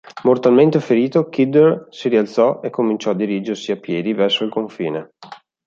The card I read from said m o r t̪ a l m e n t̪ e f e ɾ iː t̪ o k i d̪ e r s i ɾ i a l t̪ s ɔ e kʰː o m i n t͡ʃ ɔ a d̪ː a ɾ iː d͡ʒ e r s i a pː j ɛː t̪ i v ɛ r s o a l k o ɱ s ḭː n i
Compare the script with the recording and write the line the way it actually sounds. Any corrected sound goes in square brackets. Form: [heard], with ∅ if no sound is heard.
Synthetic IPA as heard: m o r t̪ a l m e n t̪ e f e ɾ iː t̪ o k i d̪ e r s i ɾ i a l t̪ s ɔ e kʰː o m i n t͡ʃ ɔ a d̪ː [i] ɾ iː d͡ʒ e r s i a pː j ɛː [d̪] i v ɛ r s o [i] l k o ɱ [f] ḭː n [e]